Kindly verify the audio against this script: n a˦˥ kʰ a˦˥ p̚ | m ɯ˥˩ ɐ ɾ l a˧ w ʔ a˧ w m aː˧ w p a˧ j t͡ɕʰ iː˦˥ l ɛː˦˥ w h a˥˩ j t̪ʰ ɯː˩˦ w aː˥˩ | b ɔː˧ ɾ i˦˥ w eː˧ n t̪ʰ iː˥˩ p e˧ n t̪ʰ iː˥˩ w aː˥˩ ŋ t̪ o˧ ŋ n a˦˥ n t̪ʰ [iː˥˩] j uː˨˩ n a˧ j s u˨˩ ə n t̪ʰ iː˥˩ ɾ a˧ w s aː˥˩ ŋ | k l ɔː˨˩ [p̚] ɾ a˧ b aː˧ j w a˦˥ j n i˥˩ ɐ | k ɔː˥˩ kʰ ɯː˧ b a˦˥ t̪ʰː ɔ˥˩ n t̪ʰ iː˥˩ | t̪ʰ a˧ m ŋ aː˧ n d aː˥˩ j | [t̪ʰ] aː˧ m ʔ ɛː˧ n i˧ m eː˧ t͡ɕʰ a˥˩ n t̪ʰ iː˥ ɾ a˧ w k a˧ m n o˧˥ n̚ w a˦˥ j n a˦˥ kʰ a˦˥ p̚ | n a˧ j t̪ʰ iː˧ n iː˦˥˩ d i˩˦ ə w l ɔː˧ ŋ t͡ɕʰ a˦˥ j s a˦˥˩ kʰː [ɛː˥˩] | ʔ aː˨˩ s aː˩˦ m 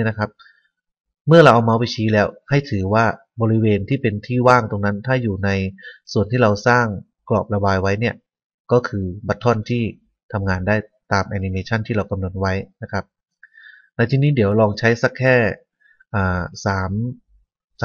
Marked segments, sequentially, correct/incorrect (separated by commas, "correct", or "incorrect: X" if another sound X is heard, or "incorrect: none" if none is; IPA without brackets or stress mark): incorrect: aː˥˩, correct, incorrect: t̪, correct